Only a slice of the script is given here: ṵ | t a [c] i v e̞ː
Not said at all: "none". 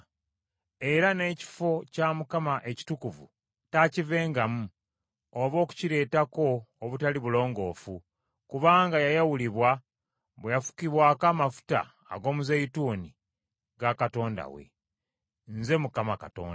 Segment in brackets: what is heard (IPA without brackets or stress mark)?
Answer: c